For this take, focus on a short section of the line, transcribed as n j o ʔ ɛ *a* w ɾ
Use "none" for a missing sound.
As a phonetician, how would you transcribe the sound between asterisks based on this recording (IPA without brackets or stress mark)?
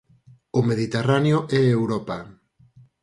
e